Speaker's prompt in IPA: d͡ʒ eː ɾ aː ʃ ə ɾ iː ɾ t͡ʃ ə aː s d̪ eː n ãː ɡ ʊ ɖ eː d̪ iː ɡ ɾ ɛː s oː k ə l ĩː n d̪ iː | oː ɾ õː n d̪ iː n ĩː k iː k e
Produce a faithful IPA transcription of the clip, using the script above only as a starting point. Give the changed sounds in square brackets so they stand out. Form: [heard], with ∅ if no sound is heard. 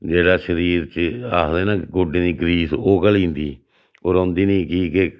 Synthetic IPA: d͡ʒ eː [ɽ] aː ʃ ə ɾ iː ɾ t͡ʃ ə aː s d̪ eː n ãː ɡ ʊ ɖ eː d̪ iː ɡ ɾ [iː] s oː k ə l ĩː n d̪ iː | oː ɾ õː n d̪ iː n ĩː k iː k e